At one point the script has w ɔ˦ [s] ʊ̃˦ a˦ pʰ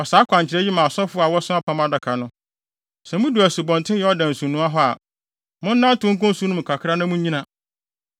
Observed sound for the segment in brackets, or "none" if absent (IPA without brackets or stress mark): s